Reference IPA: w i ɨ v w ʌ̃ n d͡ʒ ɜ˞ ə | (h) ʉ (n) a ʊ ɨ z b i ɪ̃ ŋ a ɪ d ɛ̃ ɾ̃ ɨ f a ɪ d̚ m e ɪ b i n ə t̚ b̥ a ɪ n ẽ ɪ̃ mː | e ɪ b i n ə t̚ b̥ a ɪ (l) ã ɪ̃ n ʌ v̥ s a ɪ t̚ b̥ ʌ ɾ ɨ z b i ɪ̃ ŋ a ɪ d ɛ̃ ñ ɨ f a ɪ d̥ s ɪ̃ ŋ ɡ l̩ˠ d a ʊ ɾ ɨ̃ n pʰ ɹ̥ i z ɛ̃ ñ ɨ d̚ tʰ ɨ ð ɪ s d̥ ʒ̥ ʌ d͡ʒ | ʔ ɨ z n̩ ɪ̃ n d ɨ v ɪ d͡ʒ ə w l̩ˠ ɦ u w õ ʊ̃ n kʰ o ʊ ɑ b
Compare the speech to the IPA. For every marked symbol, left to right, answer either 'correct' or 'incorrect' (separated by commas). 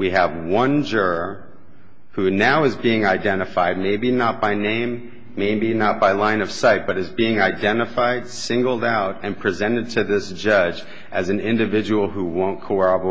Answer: correct, correct, correct